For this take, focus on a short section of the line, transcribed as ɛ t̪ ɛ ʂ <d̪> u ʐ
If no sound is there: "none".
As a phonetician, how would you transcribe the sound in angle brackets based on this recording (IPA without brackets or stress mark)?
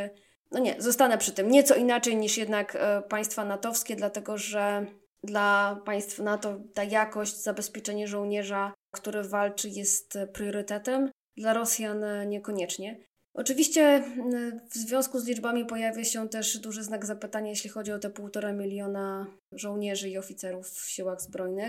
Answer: d̪